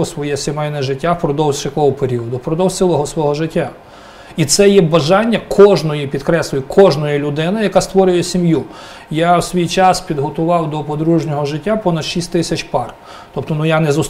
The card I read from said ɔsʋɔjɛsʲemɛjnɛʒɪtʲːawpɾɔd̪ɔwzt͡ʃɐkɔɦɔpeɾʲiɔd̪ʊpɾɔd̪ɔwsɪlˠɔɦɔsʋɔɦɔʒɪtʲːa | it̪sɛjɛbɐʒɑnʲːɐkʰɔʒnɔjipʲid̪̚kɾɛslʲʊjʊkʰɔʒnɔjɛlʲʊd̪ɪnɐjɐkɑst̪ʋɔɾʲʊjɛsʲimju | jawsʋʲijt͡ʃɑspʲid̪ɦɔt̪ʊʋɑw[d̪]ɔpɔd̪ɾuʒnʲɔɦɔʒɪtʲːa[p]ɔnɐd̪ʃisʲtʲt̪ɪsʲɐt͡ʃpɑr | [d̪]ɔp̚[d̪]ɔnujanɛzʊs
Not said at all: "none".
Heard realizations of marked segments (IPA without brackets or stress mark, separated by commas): d̪, p, t̪, t̪